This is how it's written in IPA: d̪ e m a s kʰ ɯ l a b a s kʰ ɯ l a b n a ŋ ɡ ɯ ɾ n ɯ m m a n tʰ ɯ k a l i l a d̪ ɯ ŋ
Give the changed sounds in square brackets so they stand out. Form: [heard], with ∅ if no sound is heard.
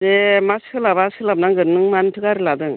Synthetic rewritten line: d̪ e m a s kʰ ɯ l a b a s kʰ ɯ l a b n a ŋ ɡ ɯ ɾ n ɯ [ŋ] m a n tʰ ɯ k a [ɾ] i l a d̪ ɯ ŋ

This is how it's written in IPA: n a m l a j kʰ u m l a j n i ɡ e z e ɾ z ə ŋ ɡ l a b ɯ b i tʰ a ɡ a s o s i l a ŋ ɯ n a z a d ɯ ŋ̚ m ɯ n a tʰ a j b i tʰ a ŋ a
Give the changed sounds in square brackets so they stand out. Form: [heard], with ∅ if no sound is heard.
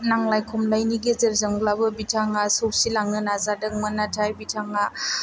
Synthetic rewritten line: n a [ŋ] l a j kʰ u m l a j n i ɡ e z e ɾ z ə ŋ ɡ l a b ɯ b i tʰ a [ŋ] a s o s i l a ŋ ɯ n a z a d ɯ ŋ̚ m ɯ n a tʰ a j b i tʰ a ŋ a

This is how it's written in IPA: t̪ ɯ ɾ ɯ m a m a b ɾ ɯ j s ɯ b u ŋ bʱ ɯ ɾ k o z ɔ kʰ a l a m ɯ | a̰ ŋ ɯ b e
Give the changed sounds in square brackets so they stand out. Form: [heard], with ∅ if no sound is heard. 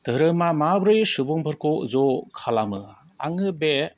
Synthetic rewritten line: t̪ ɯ ɾ ɯ m a m a b ɾ ɯ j s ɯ b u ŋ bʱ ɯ ɾ k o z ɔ kʰ a l a m ɯ | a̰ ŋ ɯ b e

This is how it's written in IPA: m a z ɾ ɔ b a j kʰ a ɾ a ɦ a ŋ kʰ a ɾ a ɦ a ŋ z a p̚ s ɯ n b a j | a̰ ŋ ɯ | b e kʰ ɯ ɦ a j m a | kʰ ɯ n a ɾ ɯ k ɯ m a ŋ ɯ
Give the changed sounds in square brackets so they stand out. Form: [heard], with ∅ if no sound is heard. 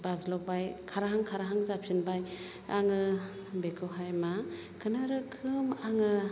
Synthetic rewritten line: [b] a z [l] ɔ b a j kʰ a ɾ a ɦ a ŋ kʰ a ɾ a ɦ a ŋ z a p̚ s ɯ n b a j | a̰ ŋ ɯ | b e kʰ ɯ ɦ a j m a | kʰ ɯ n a ɾ ɯ [kʰ] ɯ m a ŋ ɯ

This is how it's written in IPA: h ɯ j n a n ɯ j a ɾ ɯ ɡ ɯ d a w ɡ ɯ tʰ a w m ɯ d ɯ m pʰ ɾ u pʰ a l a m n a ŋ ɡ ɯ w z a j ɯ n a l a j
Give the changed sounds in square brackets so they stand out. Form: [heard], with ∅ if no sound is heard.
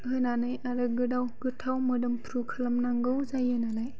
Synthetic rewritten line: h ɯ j n a n ɯ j a ɾ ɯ ɡ ɯ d a w ɡ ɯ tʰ a w m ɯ d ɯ m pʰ ɾ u [kʰ] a l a m n a ŋ ɡ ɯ w z a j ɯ n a l a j

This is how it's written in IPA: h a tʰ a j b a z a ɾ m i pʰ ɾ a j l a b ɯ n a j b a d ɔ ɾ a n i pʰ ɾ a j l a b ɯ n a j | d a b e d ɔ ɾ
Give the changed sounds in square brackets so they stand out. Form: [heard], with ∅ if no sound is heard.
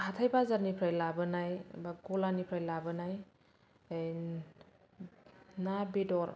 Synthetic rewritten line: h a tʰ a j b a z a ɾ [n] i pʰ ɾ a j l a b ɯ n a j b a [ɡ] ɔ [l] a n i pʰ ɾ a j l a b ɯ n a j | [n] a b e d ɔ ɾ

